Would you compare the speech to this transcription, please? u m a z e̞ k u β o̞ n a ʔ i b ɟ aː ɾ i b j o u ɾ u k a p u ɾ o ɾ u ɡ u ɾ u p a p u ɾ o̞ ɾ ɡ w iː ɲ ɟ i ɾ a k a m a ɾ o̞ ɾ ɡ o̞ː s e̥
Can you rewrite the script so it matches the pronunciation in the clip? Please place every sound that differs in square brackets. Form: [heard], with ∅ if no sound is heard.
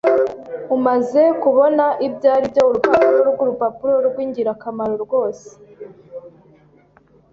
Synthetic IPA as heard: u m a z e̞ k u β o̞ n a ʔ i b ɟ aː ɾ i b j o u ɾ u [p] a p u ɾ o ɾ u ɡ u ɾ u p a p u ɾ o̞ ɾ ɡ w iː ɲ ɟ i ɾ a k a m a ɾ o̞ ɾ ɡ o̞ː s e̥